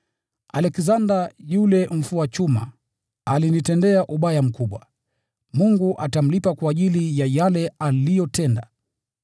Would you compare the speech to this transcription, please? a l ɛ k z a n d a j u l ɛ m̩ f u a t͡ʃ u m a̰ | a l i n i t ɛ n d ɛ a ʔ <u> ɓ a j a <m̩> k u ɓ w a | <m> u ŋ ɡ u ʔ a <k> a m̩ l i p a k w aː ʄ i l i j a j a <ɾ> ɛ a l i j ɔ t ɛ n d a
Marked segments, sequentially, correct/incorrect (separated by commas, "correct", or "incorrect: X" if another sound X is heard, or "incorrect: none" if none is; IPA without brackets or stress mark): correct, correct, correct, incorrect: t, incorrect: l